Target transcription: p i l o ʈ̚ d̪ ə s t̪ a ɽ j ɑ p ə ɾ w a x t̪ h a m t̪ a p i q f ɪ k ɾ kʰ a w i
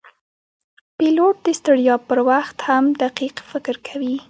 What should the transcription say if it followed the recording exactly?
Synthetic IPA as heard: p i l o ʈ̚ d̪ ə s t̪ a ɽ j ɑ p ə ɾ w a x t̪ h a m d̪ a q i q f ɪ k ɾ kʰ a w i